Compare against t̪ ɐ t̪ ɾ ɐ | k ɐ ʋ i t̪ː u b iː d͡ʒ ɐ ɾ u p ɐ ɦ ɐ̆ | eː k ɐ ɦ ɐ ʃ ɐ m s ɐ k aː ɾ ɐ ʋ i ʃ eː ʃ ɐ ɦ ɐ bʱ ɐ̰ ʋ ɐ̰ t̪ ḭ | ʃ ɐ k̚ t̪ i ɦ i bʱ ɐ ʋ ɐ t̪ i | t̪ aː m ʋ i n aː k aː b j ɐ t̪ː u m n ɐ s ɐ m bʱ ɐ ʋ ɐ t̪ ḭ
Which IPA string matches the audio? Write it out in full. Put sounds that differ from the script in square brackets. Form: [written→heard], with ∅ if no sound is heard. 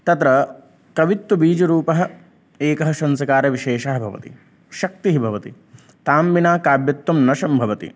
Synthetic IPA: t̪ ɐ t̪ ɾ ɐ | k ɐ ʋ i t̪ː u b iː d͡ʒ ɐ ɾ [u→uː] p ɐ ɦ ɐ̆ | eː k ɐ ɦ ɐ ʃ ɐ [m→n] s ɐ k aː ɾ ɐ ʋ i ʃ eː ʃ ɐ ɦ ɐ bʱ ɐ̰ ʋ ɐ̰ t̪ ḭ | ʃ ɐ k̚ t̪ i ɦ i bʱ ɐ ʋ ɐ t̪ i | t̪ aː m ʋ i n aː k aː b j ɐ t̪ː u m n ɐ [s→ʃ] ɐ m bʱ ɐ ʋ ɐ t̪ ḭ